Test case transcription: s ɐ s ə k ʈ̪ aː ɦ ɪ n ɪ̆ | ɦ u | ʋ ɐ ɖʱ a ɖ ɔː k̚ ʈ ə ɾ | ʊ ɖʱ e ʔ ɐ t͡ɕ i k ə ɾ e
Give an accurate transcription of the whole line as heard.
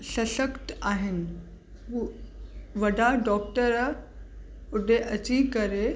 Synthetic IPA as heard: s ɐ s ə k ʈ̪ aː ɦ ɪ n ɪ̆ | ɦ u | ʋ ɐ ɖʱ a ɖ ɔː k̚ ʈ ə ɾ | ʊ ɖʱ e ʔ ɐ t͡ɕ i k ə ɾ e